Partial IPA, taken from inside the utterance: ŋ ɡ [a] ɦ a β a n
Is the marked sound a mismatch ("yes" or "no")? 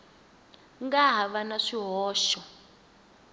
no